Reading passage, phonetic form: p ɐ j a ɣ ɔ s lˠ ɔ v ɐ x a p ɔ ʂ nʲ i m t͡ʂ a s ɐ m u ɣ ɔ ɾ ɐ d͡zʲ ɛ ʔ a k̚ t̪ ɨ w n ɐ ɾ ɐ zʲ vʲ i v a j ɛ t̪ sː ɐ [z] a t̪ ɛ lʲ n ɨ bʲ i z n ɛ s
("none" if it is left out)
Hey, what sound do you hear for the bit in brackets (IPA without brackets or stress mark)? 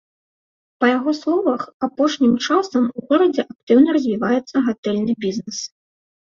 ɣ